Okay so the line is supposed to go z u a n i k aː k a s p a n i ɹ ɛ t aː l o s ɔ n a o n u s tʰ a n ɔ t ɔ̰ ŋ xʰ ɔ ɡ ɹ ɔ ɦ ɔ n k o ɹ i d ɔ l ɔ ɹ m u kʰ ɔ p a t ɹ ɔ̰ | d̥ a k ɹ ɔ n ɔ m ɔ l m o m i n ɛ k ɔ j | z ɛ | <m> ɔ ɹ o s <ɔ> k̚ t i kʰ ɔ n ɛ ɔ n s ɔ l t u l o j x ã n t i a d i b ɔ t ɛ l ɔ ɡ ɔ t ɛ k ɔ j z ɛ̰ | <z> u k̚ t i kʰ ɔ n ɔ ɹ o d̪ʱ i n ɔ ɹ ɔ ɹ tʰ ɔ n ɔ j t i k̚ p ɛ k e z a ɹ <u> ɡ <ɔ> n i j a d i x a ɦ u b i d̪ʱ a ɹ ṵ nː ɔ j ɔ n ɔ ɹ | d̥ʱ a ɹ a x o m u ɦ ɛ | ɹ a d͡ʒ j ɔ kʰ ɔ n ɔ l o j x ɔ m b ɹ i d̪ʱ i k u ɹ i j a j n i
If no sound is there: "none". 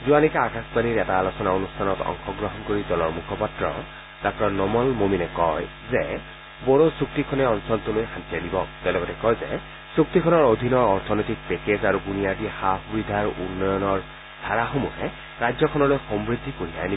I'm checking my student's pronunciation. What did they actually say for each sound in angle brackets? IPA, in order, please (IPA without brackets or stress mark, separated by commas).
b, u, s, u, u